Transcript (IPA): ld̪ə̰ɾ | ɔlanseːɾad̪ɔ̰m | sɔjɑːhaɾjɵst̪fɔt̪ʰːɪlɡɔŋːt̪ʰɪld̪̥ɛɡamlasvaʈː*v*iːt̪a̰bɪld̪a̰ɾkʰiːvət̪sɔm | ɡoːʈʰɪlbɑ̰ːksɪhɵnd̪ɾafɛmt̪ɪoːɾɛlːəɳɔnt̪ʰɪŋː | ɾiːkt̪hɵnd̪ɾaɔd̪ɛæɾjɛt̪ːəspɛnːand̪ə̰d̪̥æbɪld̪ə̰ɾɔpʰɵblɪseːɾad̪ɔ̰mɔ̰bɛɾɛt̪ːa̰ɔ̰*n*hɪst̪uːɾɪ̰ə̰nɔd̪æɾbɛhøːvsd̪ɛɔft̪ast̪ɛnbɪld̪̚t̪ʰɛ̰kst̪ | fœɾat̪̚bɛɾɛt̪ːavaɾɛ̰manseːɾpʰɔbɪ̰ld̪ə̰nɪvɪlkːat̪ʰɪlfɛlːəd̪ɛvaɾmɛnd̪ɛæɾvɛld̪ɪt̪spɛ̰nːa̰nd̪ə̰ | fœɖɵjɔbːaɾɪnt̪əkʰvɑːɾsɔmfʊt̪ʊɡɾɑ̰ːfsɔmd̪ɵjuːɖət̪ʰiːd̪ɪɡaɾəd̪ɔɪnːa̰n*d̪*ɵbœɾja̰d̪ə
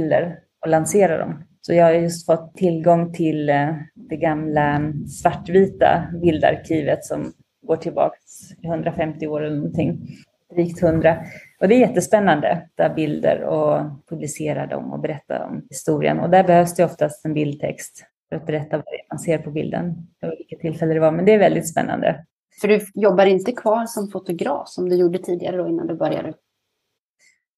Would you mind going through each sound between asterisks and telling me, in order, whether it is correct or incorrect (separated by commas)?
correct, incorrect, correct